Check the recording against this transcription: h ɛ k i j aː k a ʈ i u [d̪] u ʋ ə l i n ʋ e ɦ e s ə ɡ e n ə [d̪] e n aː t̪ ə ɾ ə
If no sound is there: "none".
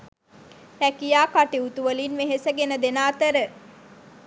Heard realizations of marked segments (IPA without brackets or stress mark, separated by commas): t̪, d̪